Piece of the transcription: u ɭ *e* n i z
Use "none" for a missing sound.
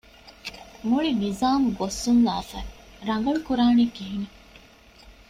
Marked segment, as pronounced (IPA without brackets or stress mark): i